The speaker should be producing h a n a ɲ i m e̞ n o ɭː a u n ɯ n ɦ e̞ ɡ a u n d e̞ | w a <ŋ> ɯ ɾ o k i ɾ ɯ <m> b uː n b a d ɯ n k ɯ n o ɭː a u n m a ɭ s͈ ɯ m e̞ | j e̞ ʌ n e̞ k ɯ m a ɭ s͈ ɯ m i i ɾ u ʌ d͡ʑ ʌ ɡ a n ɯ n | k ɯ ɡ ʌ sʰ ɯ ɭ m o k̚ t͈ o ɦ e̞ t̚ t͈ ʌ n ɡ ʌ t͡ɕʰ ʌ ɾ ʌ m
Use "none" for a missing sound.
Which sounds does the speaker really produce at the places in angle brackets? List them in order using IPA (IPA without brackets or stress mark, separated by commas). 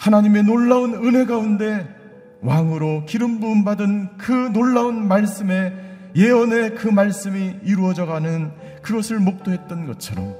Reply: ŋ, m